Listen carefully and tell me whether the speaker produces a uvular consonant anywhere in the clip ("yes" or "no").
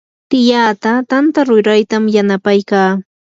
no